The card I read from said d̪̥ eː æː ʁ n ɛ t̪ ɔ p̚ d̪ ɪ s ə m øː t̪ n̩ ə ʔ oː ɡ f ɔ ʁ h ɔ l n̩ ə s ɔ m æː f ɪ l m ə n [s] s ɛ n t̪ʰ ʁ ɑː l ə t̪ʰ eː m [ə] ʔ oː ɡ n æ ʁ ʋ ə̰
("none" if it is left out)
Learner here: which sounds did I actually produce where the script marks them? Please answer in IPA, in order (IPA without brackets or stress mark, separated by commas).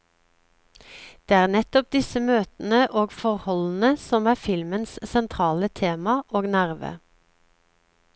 s, ɑ